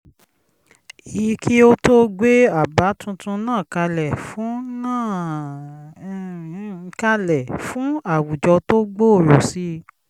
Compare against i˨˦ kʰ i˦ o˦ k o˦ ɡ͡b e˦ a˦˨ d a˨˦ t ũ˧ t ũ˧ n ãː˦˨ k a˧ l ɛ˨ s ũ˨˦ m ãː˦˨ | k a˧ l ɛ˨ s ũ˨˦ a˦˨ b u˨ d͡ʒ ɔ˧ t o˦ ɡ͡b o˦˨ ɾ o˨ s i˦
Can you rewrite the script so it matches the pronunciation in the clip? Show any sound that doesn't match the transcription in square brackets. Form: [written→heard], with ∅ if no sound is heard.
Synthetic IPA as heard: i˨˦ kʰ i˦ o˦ [k→t] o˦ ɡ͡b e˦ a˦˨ [d→b] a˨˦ t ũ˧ t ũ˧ n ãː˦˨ k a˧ l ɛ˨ [s→f] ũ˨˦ [m→n] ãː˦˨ | k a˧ l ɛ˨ [s→f] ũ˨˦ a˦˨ [b→w] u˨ d͡ʒ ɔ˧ t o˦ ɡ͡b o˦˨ ɾ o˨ s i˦